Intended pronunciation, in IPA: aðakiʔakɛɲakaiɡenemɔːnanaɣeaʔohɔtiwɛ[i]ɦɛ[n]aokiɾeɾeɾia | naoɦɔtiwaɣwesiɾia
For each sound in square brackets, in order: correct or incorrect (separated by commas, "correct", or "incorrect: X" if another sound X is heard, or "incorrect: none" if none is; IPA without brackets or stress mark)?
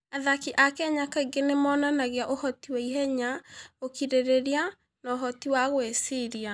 correct, incorrect: ɲ